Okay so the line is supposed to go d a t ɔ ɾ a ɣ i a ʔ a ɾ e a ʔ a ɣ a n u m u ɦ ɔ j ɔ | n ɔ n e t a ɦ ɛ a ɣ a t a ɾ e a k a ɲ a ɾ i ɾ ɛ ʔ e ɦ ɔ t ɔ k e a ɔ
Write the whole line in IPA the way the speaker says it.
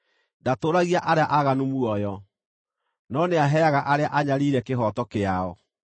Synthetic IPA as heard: d a t o ɾ a ɣ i a ʔ a ɾ e a ʔ a ɣ a n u m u ɔ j ɔ | n ɔ n e a ɦ ɛ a ɣ a ʔ a ɾ e a ʔ a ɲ a ɾ i ɾ ɛ k e ɦ ɔ t ɔ k e a ɔ